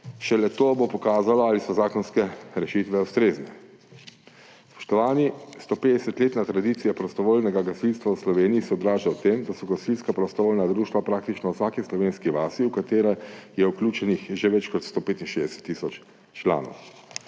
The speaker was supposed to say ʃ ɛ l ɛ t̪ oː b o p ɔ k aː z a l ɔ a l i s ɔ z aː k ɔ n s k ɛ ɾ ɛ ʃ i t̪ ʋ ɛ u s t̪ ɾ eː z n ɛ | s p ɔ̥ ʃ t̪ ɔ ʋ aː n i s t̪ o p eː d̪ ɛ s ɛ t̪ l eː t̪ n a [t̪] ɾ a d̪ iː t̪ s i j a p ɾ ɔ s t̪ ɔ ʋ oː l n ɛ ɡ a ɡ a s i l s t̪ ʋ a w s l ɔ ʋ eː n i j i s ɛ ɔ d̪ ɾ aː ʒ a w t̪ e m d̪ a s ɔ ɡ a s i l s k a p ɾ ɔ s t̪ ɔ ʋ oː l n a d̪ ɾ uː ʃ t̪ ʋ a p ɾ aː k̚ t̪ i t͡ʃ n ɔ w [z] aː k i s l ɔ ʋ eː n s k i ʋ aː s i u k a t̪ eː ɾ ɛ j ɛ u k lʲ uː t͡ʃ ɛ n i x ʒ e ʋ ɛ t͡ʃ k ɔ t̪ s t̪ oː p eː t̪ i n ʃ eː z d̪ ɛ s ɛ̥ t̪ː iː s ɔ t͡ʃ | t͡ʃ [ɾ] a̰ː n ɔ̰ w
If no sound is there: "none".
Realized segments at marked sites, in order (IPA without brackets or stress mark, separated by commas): t̪, s, l